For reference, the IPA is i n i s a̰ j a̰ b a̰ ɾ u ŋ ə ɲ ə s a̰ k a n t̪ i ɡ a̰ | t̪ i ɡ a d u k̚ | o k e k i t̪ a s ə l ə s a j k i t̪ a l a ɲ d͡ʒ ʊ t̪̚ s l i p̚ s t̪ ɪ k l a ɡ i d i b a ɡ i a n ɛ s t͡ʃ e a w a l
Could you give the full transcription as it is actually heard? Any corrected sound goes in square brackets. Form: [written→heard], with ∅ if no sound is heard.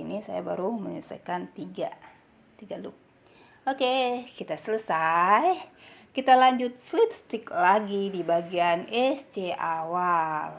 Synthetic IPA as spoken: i n i s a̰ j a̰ b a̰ ɾ u [ŋ→m] ə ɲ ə s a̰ k a n t̪ i ɡ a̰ | t̪ i ɡ a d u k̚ | o k e k i t̪ a s ə l ə s a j k i t̪ a l a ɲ d͡ʒ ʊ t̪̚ s l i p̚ s t̪ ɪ k l a ɡ i d i b a ɡ i a n ɛ s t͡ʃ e a w a l

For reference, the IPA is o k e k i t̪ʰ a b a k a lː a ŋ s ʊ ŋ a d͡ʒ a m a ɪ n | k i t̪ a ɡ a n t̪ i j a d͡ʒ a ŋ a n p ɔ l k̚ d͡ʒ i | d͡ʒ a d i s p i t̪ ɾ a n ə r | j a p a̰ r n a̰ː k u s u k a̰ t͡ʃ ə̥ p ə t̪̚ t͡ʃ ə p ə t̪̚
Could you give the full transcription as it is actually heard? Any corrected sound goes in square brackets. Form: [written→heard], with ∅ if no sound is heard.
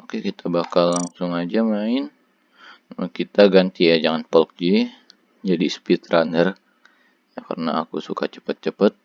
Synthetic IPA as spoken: o k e k i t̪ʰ a b a k a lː a ŋ s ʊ ŋ a d͡ʒ a m a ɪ n | k i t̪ a ɡ a n t̪ i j a d͡ʒ a ŋ a n p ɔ l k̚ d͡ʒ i | d͡ʒ a d i s p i t̪ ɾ a n ə r | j a [p→k] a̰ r n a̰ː k u s u k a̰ t͡ʃ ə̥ p ə t̪̚ t͡ʃ ə p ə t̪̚

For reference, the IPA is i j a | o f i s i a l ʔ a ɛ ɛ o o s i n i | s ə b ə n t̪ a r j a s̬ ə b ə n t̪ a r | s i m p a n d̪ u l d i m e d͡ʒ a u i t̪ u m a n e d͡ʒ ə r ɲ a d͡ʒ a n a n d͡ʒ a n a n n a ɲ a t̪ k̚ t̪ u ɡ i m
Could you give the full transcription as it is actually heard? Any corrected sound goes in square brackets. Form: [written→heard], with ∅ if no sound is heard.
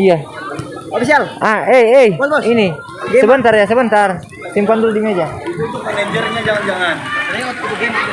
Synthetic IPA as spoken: i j a | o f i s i a l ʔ a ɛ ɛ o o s i n i | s ə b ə n t̪ a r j a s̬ ə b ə n t̪ a r | s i m p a n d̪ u l d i m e d͡ʒ a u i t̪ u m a n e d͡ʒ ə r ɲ a d͡ʒ a [n→ŋ] a n d͡ʒ a [n→ŋ] a n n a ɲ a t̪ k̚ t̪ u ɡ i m

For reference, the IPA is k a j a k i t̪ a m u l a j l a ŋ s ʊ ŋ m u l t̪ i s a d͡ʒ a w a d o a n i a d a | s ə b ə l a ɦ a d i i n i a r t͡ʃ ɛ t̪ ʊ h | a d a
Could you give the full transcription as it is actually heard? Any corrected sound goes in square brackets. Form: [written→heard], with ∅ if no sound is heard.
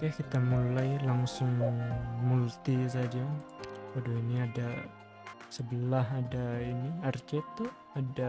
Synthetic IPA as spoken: k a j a k i t̪ a m u l a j l a ŋ s ʊ ŋ m u l t̪ i s a d͡ʒ a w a d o [a→i] n i a d a | s ə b ə l a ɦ a d [i→a] i n i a r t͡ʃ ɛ t̪ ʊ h | a d a

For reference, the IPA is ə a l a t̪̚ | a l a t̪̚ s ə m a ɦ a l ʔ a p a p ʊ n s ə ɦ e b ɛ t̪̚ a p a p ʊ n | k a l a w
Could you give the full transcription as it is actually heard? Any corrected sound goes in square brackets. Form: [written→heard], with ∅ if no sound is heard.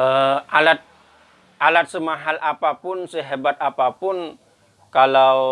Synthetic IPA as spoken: ə a l a t̪̚ | a l a t̪̚ s ə m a ɦ a l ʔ a p a p ʊ n s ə ɦ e b [ɛ→a] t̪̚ a p a p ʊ n | k a l a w

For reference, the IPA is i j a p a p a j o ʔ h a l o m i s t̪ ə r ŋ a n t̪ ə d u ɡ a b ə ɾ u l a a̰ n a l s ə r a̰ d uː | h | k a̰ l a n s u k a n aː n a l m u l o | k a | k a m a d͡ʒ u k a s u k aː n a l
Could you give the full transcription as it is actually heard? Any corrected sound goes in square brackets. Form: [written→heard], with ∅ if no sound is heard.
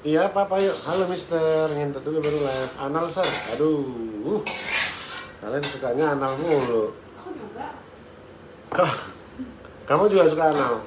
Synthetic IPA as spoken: i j a p a p a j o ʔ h a l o m i s t̪ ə r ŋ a n t̪ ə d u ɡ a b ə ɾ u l a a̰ n a l s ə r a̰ d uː | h | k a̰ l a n s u k a [n→ɲ] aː n a l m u l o | k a | k a m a d͡ʒ u [k→ɡ] a s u k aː n a l

